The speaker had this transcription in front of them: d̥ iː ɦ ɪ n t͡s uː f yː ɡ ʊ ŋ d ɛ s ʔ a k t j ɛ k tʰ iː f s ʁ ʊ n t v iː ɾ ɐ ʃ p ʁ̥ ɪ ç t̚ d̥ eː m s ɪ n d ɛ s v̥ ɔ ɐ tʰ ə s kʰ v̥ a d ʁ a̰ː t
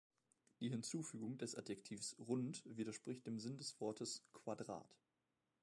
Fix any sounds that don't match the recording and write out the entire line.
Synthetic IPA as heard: d̥ iː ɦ ɪ n t͡s uː f yː ɡ ʊ ŋ d ɛ s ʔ a t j ɛ k tʰ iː f s ʁ ʊ n t v iː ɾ ɐ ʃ p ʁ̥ ɪ ç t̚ d̥ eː m z ɪ n d ɛ s v̥ ɔ ɐ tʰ ə s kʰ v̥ a d ʁ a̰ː t